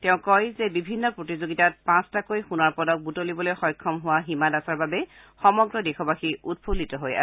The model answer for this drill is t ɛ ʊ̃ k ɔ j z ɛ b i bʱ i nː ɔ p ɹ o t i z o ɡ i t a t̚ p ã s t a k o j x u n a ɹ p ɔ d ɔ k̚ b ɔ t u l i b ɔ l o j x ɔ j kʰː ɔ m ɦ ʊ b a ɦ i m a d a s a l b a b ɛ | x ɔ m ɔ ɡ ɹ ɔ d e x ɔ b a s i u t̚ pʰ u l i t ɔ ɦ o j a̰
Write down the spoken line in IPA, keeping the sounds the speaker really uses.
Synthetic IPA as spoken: t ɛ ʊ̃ k ɔ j z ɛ b i bʱ i nː ɔ p ɹ o t i z o ɡ i t a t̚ p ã s t a k o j x u n a ɹ p ɔ d ɔ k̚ b u t o l i b ɔ l o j x ɔ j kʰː ɔ m ɦ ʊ w a ɦ i m a d a s a ɹ b a b ɛ | x ɔ m ɔ ɡ ɹ ɔ d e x ɔ b a x i u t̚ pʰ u l i t ɔ ɦ o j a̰